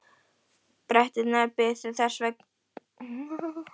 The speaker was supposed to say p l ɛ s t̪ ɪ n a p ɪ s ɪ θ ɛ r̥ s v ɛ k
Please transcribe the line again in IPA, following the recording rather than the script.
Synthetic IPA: p ɾ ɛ h t̪ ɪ n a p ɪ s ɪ θ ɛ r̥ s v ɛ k